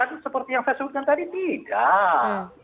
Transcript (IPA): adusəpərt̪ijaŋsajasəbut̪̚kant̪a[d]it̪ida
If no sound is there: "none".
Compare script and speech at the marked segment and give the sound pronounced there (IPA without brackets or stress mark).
d